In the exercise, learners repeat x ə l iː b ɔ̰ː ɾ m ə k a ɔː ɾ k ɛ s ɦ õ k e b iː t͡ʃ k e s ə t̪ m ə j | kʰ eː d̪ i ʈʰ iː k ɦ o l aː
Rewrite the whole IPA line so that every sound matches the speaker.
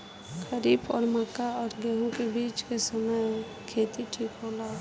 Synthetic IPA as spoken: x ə ɾ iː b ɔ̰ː ɾ m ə k a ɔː ɾ ɡ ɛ ɦ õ k e b iː t͡ʃ k e s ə m ə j | kʰ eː t̪ i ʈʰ iː k ɦ o l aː